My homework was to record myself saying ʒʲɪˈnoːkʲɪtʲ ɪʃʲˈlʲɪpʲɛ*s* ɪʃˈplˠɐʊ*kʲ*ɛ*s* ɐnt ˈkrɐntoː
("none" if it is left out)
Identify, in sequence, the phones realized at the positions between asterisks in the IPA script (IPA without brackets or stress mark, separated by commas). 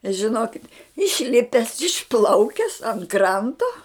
s, kʲ, s